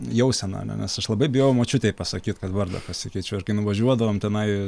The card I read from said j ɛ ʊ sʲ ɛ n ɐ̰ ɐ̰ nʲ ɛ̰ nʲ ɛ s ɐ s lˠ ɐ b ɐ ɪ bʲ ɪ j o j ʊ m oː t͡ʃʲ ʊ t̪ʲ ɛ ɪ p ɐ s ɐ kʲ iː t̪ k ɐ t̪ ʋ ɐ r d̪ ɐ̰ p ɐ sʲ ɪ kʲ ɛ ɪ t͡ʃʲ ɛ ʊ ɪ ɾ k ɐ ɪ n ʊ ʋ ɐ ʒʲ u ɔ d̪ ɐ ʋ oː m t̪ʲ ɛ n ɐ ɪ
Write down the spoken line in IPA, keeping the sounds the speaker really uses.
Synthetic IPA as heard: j ɛ ʊ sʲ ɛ n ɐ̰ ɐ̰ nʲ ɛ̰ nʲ ɛ s ɐ ʃ lˠ ɐ b ɐ ɪ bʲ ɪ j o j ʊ m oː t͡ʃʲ ʊ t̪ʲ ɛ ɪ p ɐ s ɐ kʲ iː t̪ k ɐ t̪ ʋ ɐ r d̪ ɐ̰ p ɐ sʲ ɪ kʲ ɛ ɪ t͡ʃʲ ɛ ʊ ɪ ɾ k ɐ ɪ n ʊ ʋ ɐ ʒʲ u ɔ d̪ ɐ ʋ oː m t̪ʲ ɛ n ɐ ɪ